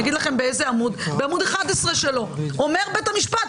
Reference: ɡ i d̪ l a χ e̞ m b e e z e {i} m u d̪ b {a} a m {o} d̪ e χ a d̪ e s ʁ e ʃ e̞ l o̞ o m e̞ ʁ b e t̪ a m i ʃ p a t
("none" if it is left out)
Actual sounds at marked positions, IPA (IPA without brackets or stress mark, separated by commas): a, e, u